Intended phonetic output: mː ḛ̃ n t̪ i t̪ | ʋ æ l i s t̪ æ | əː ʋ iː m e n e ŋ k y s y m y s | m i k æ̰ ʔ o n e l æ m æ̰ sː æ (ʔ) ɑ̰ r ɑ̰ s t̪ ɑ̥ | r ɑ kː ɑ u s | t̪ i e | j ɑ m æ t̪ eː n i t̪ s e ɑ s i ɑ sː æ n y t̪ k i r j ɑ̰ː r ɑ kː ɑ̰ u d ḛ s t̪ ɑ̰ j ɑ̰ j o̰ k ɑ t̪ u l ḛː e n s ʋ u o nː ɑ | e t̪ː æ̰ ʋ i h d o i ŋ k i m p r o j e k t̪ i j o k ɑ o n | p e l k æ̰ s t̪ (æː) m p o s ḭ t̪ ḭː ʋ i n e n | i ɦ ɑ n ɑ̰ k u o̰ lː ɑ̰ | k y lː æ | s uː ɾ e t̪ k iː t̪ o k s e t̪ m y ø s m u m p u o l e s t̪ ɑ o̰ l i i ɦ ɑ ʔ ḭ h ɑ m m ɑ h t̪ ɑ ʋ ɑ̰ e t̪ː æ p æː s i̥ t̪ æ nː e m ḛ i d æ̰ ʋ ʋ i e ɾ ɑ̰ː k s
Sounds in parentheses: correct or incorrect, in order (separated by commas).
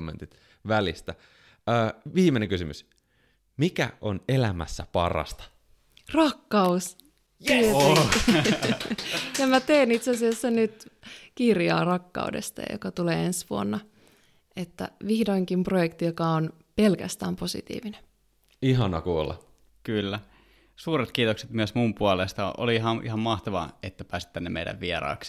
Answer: incorrect, correct